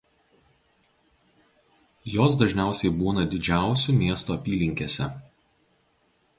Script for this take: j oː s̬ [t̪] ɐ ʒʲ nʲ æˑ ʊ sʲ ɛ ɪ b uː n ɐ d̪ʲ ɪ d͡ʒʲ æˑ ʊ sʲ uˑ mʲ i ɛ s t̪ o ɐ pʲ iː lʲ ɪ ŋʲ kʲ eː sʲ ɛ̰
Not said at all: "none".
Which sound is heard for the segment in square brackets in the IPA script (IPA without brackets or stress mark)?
d̪